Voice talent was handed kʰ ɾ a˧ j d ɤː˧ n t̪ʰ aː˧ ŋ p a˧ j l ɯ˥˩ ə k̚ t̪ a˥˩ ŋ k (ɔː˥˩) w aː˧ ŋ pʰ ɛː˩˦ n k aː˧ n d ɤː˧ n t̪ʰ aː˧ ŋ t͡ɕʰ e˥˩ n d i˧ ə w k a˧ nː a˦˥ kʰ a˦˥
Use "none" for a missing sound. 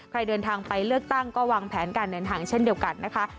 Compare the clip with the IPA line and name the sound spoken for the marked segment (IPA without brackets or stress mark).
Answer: ɔː˥˩